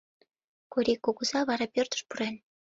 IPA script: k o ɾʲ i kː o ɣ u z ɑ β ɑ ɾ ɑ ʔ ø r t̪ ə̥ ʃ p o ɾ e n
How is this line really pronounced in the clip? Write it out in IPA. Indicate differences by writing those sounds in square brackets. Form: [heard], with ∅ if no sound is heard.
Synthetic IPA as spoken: k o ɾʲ i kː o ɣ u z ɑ β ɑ ɾ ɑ [p] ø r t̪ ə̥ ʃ p [u] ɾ e n